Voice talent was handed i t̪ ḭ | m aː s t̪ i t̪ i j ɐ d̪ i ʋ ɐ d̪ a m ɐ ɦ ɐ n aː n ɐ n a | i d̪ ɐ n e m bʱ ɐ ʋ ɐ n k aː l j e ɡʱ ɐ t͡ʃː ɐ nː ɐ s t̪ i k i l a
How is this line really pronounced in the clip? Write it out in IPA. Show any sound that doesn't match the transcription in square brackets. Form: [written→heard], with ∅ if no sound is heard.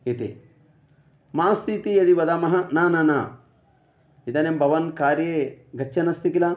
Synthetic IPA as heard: i t̪ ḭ | m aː s t̪ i t̪ i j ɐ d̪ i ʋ ɐ d̪ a m ɐ ɦ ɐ n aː n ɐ n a | i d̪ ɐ n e m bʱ ɐ ʋ ɐ n k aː [l→ɾ] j e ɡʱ ɐ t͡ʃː ɐ [nː→n] ɐ s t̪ i k i l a